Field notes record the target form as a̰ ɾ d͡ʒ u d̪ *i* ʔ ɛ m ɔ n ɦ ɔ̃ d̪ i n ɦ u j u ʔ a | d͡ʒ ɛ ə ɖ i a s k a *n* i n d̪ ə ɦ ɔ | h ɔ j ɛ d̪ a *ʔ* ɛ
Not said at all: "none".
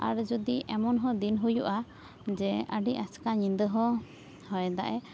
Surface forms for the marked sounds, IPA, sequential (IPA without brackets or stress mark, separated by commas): i, ɲ, ʔ